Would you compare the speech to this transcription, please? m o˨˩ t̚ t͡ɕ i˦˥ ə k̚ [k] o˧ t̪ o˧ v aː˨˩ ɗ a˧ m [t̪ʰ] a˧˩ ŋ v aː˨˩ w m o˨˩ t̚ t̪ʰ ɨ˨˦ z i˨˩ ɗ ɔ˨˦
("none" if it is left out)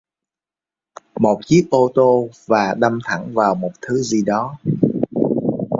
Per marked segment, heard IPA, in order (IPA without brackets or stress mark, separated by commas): ʔ, t̪ʰ